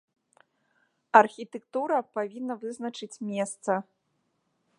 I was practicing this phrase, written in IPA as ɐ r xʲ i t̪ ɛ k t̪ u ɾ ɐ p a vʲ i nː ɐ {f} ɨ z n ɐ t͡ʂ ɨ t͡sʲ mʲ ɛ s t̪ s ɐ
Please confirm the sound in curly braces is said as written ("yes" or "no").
no